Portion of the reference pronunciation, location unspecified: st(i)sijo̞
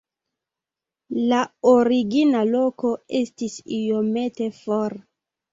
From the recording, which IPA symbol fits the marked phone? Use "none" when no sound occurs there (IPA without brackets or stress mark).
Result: i